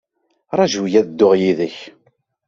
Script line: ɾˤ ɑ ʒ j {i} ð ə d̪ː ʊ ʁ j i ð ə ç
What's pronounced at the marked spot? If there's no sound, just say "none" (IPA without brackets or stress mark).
æ